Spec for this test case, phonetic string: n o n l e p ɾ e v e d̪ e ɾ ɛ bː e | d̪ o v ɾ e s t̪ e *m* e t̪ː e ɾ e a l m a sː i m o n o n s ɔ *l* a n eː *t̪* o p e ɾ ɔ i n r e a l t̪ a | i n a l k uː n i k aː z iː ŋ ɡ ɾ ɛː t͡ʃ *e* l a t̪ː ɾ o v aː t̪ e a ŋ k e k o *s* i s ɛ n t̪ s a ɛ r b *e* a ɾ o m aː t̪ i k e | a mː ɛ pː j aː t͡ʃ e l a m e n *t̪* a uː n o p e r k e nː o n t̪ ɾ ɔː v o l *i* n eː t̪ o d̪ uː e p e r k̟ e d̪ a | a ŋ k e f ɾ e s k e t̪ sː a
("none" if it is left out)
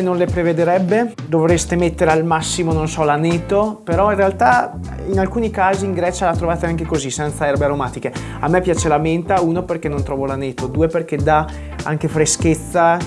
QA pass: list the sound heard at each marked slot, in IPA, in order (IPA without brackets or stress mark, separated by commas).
m, l, t̪, a, z, e, t̪, a